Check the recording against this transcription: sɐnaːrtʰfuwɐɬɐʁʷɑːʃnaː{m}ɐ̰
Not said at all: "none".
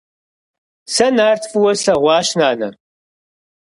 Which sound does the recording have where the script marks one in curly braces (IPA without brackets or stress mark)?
n